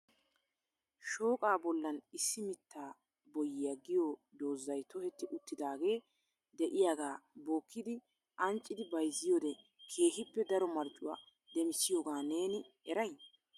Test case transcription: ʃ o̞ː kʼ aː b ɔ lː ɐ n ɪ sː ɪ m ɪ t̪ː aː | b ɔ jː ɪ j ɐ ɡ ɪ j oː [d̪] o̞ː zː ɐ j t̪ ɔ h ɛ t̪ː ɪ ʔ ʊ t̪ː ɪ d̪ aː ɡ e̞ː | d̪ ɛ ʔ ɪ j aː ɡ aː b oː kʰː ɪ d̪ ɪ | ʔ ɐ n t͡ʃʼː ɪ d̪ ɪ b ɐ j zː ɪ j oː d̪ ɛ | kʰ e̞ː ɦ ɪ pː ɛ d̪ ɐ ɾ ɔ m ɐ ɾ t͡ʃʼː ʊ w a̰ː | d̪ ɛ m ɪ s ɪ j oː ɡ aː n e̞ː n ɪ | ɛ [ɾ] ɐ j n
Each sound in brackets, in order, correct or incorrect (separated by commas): correct, correct